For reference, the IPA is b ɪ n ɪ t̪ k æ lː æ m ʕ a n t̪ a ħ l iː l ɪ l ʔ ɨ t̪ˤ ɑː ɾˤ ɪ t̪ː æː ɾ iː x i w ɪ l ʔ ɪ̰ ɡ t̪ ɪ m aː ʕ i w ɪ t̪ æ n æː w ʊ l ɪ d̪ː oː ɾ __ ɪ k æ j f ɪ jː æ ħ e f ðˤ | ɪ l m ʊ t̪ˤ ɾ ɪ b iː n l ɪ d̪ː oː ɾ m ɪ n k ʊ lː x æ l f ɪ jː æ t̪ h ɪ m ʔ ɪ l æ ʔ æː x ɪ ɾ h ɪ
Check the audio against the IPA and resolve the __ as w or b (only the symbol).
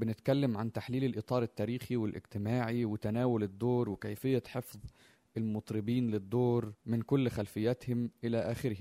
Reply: w